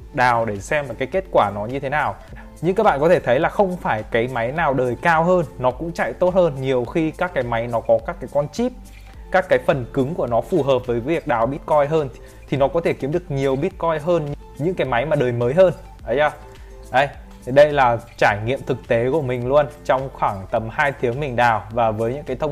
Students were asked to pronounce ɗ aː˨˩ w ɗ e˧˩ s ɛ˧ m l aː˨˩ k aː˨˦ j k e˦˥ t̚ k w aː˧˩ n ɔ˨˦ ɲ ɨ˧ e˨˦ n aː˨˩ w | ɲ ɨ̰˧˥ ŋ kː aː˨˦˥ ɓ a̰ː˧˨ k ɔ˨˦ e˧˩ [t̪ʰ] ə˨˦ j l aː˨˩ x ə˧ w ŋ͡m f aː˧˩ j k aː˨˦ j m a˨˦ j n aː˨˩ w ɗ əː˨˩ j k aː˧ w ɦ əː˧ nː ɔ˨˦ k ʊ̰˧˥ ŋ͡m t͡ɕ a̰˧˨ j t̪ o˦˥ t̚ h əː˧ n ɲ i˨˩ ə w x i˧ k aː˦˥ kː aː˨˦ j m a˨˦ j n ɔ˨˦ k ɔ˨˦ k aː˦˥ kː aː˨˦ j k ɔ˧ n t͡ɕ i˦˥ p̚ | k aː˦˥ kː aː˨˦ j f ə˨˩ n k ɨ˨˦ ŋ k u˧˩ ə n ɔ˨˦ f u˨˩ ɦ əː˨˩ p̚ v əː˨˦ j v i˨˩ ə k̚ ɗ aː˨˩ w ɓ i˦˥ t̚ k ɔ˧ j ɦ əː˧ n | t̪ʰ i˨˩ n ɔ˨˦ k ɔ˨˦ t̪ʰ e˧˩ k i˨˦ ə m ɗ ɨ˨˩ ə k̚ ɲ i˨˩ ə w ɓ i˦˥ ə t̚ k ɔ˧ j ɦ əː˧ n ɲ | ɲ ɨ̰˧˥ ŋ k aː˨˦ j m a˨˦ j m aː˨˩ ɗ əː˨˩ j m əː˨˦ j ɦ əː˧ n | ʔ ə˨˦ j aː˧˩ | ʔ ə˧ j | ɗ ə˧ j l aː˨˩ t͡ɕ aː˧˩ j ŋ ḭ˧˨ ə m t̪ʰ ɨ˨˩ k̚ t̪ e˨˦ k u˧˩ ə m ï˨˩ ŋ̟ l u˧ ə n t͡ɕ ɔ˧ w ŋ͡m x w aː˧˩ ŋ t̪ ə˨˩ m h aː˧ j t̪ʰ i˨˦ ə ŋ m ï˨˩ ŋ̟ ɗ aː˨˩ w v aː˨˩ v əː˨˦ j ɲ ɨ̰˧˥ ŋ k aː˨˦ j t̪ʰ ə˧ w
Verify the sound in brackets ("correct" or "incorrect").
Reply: correct